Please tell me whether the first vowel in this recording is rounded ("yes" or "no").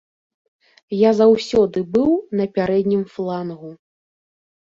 no